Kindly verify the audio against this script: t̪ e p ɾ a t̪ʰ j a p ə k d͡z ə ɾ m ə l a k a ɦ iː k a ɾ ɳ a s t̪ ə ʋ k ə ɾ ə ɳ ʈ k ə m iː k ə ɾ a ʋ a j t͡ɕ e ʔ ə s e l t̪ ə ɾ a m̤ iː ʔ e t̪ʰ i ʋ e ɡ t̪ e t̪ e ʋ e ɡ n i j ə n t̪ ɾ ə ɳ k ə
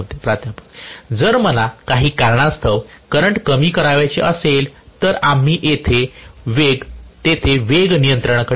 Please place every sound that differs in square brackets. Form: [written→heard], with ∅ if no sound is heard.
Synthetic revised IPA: t̪ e p ɾ a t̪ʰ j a p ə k d͡z ə ɾ m ə l a k a ɦ iː k a ɾ ɳ a s [t̪→t̪ʰ] ə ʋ k ə ɾ ə ɳ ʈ k ə m iː k ə ɾ a ʋ a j t͡ɕ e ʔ ə s e l t̪ ə ɾ a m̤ iː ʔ e t̪ʰ [i→e] ʋ e ɡ t̪ e [t̪→t̪ʰ] e ʋ e ɡ n i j ə n t̪ ɾ ə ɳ k ə